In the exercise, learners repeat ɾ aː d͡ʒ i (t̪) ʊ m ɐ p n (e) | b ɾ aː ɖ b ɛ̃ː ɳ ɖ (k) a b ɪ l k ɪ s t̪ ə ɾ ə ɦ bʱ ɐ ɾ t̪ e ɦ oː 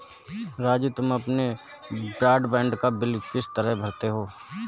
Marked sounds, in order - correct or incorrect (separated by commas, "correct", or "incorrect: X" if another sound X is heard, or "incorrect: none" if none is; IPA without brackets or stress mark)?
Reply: correct, correct, correct